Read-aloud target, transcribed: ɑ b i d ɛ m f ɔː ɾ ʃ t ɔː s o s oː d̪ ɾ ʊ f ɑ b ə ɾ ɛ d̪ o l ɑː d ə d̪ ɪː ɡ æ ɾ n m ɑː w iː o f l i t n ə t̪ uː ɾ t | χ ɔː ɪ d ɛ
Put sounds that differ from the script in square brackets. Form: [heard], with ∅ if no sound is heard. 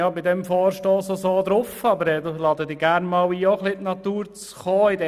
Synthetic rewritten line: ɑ b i d ɛ m f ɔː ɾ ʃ t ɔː s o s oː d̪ ɾ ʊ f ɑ b ə ɾ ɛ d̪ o l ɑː d ə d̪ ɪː ɡ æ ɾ n m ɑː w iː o [χ] l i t n [ɑ] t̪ uː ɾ [t͡s] | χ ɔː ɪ d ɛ